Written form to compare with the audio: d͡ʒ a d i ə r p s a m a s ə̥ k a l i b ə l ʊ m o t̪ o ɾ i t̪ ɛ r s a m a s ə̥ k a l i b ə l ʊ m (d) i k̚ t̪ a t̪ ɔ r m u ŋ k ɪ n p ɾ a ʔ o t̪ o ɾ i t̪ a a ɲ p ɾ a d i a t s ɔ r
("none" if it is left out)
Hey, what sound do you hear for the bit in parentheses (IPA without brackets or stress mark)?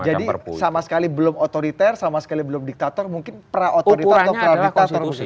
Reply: d